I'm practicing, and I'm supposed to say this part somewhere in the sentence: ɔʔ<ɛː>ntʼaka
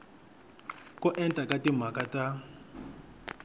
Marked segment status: incorrect: ɛ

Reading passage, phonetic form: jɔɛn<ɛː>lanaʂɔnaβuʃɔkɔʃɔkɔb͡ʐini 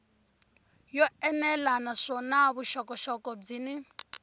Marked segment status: incorrect: ɛ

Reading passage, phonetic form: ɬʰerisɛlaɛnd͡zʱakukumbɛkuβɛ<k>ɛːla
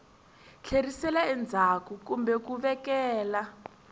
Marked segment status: correct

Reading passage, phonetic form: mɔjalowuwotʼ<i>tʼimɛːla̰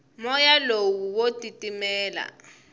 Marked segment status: correct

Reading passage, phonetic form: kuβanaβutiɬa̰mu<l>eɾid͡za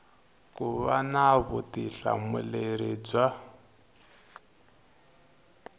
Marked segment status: correct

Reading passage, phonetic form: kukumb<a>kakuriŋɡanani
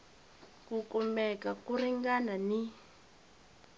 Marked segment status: incorrect: ɛ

